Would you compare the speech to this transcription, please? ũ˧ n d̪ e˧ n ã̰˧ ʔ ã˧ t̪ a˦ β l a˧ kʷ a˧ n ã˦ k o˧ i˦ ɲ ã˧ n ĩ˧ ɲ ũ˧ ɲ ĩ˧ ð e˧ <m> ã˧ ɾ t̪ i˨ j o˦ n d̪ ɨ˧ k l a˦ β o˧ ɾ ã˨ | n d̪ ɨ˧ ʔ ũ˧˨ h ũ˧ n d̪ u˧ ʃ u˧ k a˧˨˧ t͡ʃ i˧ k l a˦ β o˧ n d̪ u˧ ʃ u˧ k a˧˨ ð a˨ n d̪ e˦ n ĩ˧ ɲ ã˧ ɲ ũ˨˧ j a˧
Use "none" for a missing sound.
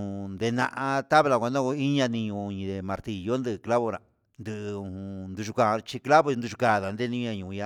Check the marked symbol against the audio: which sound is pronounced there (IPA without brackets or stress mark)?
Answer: m